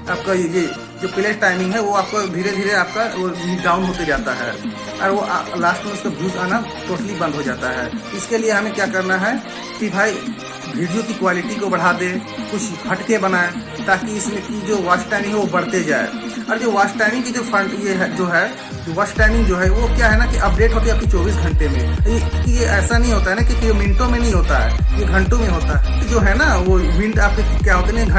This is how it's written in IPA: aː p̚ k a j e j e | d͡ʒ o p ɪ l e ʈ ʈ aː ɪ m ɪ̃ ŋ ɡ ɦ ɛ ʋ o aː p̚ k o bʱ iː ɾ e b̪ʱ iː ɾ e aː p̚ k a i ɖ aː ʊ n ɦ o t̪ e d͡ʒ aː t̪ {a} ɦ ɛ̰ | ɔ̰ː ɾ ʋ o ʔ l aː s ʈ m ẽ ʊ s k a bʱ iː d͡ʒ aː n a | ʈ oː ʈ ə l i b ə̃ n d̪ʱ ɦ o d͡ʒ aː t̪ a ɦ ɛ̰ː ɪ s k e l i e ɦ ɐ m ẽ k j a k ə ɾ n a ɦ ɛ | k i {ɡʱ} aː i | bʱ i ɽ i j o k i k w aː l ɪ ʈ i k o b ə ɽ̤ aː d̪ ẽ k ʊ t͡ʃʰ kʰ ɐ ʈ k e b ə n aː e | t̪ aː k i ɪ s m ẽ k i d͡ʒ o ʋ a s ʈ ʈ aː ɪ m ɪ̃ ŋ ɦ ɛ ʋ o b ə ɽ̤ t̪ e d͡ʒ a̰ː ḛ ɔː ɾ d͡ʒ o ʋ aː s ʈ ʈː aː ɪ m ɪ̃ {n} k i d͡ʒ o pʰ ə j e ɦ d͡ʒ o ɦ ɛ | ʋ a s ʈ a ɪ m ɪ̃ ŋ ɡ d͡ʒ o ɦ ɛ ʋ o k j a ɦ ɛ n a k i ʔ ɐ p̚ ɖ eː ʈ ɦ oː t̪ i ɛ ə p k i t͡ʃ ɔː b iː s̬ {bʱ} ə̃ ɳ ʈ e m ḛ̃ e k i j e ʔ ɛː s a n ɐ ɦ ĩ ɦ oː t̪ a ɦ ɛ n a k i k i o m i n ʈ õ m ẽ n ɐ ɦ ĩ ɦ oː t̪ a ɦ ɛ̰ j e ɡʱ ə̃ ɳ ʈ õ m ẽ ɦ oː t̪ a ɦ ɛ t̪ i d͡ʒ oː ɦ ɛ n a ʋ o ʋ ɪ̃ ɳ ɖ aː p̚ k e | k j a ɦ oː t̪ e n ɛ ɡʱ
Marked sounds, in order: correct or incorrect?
correct, incorrect: bʱ, incorrect: ŋ, incorrect: ɡʱ

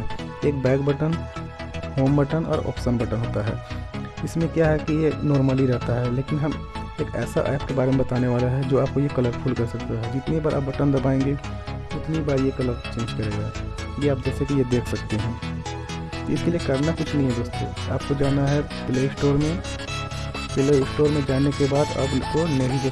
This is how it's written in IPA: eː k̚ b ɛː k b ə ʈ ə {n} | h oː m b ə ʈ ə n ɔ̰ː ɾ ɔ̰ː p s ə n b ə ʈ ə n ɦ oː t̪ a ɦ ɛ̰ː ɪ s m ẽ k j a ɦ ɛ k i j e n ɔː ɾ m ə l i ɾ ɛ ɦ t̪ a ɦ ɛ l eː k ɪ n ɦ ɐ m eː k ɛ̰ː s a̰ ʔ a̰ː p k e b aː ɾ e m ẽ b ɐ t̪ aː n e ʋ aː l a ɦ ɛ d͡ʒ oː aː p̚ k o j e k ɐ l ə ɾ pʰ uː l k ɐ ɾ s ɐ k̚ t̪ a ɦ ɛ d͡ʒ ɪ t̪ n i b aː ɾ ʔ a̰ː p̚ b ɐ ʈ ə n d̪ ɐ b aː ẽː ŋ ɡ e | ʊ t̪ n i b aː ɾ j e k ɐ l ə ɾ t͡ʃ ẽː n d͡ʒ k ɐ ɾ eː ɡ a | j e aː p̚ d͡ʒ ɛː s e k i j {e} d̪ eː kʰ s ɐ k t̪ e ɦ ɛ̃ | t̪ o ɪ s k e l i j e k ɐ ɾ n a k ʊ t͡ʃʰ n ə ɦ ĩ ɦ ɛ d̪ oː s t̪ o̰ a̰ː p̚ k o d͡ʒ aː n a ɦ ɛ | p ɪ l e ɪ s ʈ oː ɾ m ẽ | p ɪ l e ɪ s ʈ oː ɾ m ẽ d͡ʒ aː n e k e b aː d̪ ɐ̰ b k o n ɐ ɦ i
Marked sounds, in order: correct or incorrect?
correct, correct

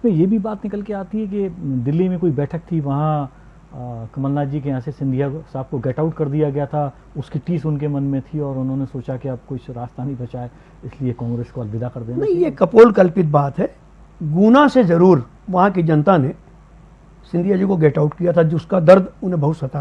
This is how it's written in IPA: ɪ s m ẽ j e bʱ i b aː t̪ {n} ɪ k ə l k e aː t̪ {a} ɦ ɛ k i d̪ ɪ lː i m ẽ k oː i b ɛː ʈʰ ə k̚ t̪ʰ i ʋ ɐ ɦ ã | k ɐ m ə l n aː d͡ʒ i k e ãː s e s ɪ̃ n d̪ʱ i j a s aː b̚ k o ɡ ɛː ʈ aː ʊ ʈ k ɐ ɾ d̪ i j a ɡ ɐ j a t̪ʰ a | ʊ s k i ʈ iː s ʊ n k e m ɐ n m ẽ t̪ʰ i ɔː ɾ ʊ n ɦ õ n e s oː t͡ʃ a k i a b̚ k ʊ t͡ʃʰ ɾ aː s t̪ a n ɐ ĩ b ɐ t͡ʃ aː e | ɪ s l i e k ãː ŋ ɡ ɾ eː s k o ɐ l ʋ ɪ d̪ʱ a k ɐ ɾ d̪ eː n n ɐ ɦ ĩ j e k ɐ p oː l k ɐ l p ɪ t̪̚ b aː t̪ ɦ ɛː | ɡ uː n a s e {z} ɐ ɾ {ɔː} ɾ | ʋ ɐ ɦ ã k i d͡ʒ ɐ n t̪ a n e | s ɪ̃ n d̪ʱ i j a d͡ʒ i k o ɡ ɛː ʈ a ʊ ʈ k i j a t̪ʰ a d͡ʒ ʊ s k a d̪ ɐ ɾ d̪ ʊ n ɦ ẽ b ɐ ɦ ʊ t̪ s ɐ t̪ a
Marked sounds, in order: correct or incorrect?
correct, incorrect: i, correct, incorrect: uː

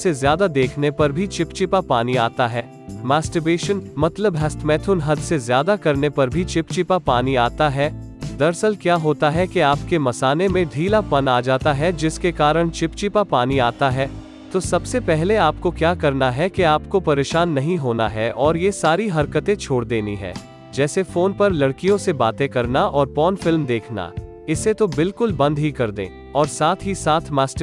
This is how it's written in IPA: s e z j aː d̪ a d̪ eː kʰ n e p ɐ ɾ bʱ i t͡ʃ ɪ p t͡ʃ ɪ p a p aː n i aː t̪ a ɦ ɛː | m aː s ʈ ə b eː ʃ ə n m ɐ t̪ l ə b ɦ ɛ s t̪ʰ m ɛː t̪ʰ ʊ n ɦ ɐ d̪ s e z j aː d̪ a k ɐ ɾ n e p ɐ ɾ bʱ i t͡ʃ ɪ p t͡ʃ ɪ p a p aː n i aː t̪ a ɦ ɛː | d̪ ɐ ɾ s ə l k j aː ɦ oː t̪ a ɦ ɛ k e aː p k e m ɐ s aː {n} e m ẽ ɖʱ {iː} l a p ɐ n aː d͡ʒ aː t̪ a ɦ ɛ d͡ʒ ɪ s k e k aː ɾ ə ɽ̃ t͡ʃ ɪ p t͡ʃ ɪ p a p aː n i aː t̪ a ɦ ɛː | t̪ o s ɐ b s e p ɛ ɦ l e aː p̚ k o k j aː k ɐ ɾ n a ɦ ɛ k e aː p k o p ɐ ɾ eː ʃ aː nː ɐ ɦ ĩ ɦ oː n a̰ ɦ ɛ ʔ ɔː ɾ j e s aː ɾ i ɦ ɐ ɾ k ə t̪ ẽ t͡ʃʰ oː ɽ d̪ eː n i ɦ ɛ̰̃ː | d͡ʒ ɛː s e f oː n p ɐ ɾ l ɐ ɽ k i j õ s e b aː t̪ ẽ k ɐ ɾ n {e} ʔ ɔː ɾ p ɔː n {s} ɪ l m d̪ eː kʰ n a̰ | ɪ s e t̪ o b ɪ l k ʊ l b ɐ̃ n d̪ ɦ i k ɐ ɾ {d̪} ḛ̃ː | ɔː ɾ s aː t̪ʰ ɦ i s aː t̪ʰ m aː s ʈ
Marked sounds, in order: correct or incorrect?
correct, correct, incorrect: a, incorrect: f, correct

